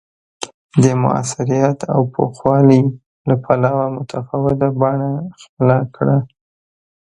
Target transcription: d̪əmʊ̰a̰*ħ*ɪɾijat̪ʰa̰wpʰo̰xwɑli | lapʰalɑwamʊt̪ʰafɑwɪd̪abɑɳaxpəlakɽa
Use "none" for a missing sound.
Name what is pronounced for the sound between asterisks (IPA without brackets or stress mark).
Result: s